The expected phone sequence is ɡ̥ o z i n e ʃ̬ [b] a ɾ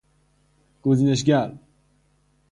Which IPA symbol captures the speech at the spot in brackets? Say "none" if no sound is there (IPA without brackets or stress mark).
ɡ